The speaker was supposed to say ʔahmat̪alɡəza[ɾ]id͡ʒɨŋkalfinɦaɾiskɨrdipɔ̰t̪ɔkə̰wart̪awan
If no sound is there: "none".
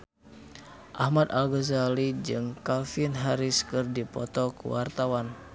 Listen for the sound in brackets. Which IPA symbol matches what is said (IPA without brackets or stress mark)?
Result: l